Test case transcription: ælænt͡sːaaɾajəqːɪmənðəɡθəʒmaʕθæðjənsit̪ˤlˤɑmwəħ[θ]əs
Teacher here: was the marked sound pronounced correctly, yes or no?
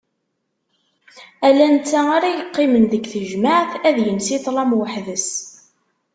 no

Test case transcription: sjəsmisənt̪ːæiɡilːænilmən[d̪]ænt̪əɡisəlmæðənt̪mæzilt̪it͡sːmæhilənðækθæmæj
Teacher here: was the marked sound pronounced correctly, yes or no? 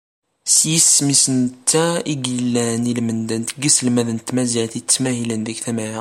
yes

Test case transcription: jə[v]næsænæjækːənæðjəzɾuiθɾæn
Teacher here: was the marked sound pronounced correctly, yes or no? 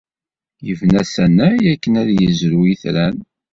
yes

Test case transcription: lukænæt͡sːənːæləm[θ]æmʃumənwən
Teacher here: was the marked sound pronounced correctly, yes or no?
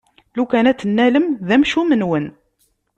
no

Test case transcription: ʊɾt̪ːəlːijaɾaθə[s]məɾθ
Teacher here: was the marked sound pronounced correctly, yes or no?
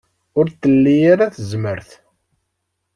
no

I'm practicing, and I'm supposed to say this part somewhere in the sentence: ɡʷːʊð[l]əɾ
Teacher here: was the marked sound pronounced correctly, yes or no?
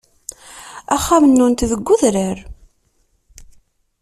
no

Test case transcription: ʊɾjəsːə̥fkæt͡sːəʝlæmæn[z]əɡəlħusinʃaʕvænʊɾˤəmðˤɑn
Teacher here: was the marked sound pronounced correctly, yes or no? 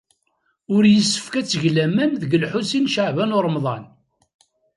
no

